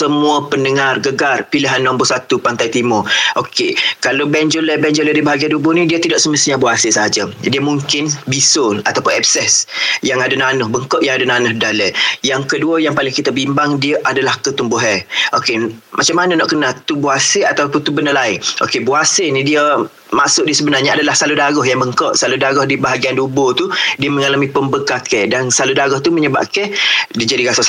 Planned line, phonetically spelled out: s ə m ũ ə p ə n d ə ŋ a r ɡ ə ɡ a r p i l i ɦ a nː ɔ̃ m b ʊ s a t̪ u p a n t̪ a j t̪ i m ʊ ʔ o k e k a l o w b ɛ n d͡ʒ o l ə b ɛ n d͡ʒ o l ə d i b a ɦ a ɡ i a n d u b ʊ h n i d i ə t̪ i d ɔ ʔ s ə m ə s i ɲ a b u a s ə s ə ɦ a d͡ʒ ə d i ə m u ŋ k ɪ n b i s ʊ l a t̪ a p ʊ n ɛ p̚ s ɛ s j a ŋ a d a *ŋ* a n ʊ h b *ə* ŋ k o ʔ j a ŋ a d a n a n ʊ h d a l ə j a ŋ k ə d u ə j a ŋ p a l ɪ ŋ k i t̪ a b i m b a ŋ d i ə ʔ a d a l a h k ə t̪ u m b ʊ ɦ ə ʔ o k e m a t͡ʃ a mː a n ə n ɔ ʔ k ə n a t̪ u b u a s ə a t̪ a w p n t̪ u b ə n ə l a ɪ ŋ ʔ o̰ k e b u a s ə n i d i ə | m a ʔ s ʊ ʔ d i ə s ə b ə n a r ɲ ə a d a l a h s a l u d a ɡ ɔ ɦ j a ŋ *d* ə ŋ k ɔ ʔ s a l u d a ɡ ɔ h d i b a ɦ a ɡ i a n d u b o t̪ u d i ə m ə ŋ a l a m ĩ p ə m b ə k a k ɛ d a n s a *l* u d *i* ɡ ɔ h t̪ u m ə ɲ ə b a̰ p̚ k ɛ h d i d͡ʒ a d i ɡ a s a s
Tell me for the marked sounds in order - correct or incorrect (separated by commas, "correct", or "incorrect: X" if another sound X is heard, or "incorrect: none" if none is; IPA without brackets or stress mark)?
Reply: incorrect: n, correct, incorrect: b, correct, incorrect: a